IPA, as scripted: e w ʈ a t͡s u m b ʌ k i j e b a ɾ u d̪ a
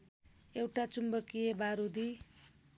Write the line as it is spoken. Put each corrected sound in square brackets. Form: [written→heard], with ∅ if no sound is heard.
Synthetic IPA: e w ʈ a t͡s u m b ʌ k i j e b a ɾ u d̪ [a→i]